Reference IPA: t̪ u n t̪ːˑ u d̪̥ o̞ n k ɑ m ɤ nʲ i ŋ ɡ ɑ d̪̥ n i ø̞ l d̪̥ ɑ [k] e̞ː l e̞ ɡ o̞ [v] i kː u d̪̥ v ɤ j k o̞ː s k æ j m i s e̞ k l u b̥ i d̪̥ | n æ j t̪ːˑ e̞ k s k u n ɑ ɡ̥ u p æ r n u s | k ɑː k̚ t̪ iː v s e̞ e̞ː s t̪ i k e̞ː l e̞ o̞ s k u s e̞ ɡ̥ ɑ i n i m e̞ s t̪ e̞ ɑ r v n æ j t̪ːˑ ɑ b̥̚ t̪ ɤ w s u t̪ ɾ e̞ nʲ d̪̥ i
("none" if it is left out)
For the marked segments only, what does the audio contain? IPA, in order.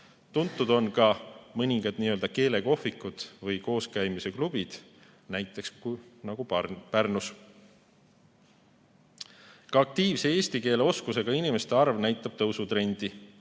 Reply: k, f

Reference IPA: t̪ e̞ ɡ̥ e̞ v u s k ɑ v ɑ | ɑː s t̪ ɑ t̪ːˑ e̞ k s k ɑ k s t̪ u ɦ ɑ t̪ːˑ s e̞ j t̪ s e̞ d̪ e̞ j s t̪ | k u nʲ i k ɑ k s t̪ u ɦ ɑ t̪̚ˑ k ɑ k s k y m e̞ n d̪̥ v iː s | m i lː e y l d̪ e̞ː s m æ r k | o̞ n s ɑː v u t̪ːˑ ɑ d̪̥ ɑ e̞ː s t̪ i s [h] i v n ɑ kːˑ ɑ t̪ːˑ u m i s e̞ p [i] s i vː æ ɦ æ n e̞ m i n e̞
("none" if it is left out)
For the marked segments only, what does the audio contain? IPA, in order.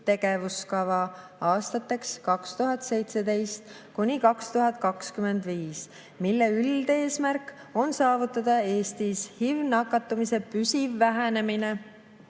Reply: h, y

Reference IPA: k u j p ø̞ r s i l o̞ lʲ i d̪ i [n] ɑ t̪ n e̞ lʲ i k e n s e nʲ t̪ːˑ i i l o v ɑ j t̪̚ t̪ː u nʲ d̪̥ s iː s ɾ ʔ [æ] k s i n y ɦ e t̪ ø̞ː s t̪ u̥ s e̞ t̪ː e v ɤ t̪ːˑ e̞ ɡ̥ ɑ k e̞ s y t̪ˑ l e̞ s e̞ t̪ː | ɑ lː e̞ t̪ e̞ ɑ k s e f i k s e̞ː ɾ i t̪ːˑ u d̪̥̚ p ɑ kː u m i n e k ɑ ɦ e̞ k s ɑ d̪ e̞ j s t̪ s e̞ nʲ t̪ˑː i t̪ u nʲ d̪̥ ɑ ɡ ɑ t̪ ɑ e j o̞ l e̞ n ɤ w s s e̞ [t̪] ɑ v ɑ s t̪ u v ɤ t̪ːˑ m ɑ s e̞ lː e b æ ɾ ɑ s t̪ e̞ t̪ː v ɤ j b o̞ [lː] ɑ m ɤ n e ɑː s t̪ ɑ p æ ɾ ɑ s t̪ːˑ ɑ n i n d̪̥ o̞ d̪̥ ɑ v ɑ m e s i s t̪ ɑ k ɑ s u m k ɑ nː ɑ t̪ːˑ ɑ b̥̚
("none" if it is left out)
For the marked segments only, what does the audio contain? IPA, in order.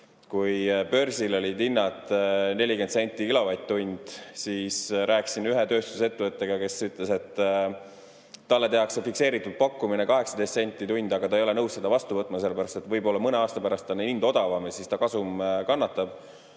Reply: nː, æː, d̪, lː

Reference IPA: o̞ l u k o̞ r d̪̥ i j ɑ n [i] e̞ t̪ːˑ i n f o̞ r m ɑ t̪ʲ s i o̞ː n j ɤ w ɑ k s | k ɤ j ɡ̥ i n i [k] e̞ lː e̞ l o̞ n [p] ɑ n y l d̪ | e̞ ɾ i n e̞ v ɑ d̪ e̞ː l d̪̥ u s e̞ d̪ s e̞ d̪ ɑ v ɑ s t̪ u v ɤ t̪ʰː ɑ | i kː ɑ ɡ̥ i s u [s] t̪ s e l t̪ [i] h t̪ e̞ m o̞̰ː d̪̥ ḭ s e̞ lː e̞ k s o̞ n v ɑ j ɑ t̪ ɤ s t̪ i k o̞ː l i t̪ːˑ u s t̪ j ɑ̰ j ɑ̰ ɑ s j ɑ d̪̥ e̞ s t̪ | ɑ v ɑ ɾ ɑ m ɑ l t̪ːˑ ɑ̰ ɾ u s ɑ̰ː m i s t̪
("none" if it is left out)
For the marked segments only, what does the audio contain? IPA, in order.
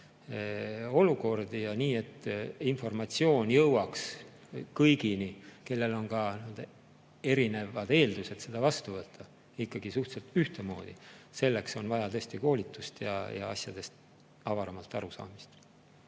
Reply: iː, k, k, h, y

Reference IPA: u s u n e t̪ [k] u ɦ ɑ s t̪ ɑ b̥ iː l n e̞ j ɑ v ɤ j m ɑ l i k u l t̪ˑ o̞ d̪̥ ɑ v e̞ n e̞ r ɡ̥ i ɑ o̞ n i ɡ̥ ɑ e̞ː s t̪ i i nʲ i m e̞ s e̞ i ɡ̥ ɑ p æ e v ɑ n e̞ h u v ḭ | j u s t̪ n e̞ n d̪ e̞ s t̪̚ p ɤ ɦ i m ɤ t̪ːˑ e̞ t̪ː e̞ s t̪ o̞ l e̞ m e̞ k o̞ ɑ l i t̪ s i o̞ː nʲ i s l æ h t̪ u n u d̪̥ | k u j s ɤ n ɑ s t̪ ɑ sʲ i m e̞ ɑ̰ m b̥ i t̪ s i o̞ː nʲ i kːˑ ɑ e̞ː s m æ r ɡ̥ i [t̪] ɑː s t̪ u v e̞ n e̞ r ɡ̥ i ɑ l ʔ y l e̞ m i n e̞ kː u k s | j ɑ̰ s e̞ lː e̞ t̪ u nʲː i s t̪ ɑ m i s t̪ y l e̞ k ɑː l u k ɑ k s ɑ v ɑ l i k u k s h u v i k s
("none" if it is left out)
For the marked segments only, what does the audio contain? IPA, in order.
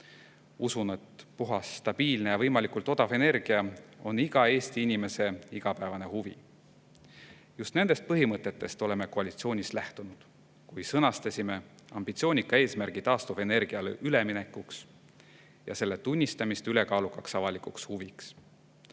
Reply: p, t̪

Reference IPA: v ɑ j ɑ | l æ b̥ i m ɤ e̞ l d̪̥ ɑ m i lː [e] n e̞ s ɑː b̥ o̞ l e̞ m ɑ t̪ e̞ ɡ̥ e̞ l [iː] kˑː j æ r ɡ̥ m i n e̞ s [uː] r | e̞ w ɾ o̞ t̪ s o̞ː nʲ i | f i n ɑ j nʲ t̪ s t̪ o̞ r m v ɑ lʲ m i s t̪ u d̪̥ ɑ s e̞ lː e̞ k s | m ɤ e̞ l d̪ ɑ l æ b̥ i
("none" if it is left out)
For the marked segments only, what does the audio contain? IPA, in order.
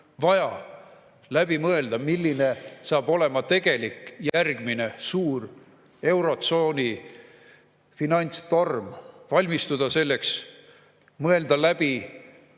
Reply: i, i, uː

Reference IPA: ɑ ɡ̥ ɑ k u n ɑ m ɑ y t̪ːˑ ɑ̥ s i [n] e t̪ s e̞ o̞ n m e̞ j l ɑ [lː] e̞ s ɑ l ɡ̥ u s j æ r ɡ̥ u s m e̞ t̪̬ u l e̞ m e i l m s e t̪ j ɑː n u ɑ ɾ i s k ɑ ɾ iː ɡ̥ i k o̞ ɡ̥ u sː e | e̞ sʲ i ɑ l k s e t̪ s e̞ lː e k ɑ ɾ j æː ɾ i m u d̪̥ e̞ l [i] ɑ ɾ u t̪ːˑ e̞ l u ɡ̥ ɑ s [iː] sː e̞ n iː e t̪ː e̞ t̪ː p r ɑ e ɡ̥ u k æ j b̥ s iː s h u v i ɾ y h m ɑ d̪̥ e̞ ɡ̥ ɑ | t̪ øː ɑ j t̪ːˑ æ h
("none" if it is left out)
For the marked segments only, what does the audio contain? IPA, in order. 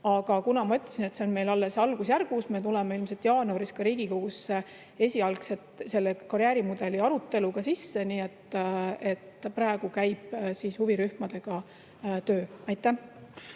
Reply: n, lː, i, i

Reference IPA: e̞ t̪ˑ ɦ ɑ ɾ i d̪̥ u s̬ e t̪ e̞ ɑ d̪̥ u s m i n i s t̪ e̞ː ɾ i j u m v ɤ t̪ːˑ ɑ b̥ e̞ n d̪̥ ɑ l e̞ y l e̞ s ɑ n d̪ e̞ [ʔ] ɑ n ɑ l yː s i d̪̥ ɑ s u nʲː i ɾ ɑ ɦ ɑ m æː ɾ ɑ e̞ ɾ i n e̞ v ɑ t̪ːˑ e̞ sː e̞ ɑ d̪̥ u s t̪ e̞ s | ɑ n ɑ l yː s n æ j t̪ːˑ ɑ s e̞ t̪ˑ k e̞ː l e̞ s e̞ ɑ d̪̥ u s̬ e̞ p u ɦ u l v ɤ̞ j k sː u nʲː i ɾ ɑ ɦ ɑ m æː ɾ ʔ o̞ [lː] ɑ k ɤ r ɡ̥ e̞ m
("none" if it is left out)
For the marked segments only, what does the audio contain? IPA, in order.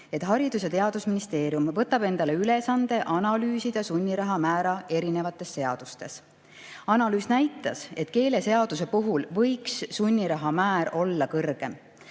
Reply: ʔ, lː

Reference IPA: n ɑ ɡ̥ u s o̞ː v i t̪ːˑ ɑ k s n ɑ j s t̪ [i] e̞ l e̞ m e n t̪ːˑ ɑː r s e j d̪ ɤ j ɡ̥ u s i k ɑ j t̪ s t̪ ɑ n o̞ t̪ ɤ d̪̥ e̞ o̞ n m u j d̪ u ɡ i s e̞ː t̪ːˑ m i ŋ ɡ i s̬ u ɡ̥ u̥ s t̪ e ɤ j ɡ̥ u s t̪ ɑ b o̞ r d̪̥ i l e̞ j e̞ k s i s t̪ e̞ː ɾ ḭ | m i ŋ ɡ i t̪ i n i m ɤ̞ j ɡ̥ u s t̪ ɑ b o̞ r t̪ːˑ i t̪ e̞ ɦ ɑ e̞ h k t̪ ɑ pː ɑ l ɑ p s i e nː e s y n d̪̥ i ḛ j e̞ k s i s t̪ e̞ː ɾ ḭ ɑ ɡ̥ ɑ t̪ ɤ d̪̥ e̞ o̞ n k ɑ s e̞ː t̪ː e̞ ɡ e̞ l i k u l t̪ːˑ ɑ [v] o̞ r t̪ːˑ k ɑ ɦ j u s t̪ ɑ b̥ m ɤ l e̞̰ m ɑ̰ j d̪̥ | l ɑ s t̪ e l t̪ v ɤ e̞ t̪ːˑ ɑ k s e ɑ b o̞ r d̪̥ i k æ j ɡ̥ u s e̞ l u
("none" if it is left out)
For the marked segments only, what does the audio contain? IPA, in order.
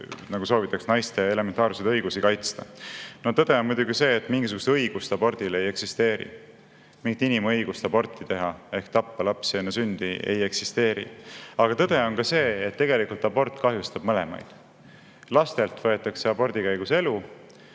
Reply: e, b

